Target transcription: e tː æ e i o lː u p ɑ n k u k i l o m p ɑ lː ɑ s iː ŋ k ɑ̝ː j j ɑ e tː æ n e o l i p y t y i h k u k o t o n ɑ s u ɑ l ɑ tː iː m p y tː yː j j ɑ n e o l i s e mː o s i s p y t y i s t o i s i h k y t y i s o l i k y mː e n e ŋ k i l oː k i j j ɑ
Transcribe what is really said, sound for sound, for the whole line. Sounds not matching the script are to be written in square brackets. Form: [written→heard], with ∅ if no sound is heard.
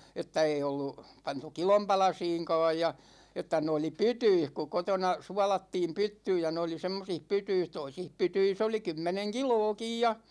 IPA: e tː æ e i o lː u p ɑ n [k→t] u k i l o m p ɑ [lː→l] ɑ s iː ŋ k ɑ̝ː j j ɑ e tː æ n e o l i p y t y i h k u k o t o n ɑ s u ɑ l ɑ tː iː m p y tː yː j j ɑ n e o l i s e mː o s i [s→h] p y t y i s t o i s i h [k→p] y t y i s o l i k y mː e n e ŋ k i l oː k i j j ɑ